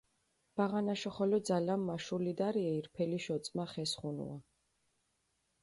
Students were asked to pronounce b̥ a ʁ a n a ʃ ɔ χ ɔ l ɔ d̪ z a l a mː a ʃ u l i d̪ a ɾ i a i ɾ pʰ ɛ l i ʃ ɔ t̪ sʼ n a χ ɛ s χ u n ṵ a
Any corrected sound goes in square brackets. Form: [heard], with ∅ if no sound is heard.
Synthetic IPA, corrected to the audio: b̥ a ʁ a n a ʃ ɔ χ ɔ l ɔ d̪ z a l a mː a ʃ u l i d̪ a ɾ i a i ɾ pʰ ɛ l i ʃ ɔ t̪ sʼ [m] a χ ɛ s χ u n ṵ a